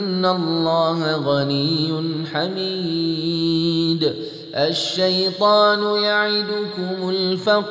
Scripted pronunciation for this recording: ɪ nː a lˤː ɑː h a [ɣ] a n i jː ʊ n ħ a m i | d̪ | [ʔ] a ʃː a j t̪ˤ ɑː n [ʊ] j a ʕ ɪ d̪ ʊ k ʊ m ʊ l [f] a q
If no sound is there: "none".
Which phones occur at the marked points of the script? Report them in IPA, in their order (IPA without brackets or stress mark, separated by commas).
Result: ɣ, ʔ, ʊ, f